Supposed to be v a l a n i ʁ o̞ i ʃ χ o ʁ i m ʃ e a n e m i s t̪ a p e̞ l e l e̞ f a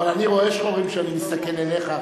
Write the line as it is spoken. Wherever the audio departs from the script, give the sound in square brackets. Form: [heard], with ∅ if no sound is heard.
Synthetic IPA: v a l a n i ʁ o̞ [e] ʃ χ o ʁ i m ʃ e a n [i] m i s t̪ a [k] e̞ l e l e̞ [χ] a